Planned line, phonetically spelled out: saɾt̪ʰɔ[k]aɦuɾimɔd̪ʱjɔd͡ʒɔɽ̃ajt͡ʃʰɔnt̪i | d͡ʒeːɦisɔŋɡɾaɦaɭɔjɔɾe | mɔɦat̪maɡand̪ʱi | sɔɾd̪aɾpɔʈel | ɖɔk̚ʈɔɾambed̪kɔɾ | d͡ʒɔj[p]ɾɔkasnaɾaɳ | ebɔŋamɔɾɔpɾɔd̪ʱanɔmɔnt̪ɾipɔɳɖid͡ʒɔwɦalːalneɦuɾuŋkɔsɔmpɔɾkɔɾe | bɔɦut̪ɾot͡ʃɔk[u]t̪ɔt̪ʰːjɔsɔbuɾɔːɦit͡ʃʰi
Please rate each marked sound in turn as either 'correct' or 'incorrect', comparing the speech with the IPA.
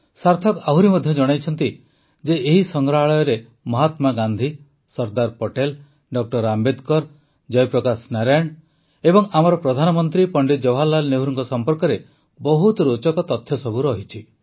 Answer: correct, correct, incorrect

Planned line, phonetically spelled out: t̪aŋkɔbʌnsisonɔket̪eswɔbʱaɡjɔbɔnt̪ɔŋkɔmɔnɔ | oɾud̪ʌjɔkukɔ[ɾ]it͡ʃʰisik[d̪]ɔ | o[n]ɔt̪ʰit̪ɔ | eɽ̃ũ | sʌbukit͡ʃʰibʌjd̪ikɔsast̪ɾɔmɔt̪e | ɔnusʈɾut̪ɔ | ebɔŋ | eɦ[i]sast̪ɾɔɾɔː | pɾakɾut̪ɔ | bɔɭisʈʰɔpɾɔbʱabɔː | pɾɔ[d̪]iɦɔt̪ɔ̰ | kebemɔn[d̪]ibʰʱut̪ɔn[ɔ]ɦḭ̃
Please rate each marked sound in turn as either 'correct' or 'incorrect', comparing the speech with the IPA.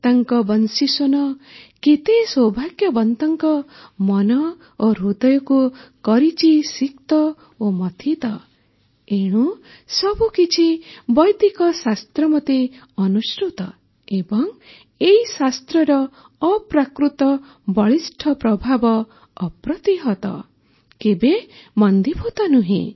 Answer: correct, incorrect, incorrect, correct, incorrect, correct, incorrect

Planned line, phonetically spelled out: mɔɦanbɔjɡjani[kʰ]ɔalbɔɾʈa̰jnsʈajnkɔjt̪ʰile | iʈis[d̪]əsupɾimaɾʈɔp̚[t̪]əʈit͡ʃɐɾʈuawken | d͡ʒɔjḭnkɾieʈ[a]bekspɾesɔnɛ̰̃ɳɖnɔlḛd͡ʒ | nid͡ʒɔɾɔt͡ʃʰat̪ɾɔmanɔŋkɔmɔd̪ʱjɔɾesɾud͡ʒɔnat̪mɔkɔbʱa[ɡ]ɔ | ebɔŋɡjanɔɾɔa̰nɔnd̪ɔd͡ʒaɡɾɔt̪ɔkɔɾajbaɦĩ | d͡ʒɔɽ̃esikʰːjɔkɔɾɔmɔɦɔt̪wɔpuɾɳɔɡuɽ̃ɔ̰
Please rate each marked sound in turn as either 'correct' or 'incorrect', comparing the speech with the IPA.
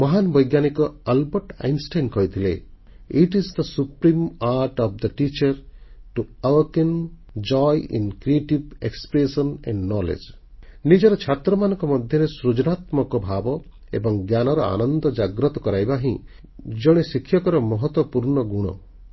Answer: incorrect, correct, incorrect, incorrect, incorrect

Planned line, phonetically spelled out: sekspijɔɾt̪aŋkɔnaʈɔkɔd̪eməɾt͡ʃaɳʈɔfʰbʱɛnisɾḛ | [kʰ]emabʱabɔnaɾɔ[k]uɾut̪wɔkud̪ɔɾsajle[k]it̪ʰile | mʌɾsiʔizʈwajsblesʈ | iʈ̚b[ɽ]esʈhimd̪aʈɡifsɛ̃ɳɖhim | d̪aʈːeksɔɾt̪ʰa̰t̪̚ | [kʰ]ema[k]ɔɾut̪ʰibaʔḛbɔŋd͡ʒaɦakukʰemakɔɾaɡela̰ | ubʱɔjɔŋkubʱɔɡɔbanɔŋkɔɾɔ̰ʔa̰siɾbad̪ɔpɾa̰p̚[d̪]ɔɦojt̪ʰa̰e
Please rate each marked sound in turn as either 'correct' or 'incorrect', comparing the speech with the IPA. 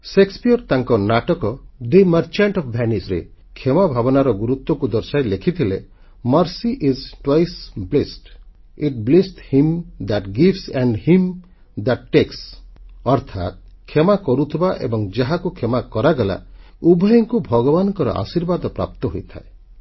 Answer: correct, incorrect, incorrect, incorrect, correct, correct, incorrect

